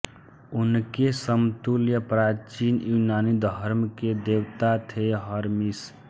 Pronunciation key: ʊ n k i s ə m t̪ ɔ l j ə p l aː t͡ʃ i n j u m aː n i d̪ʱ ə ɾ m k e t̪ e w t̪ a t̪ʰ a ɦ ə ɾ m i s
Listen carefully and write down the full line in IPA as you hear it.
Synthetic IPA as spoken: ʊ n k e s ə m t̪ u l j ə p ɾ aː t͡ʃ i n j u n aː n i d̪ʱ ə ɾ m k e d̪ e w t̪ a t̪ʰ e ɦ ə ɾ m i s